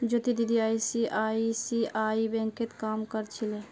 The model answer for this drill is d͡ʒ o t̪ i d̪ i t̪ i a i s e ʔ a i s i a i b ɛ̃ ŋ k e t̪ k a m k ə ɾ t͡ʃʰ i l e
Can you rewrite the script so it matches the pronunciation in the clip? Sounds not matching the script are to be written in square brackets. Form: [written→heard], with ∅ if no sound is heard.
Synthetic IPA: d͡ʒ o t̪ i d̪ i [t̪→d̪] i a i s [e→i] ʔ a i s i a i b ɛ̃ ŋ k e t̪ k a m k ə ɾ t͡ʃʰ i l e